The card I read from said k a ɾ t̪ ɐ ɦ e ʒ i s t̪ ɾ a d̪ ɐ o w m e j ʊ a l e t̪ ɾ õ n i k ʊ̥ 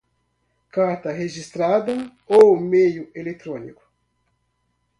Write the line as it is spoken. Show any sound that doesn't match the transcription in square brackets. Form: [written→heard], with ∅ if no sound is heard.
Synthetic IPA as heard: k a ɾ t̪ ɐ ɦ e ʒ i s t̪ ɾ a d̪ ɐ o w m e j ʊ [a→e] l e t̪ ɾ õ n i k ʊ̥